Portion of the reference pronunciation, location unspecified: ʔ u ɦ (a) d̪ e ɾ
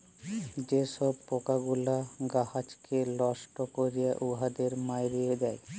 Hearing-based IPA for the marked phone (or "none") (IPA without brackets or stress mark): a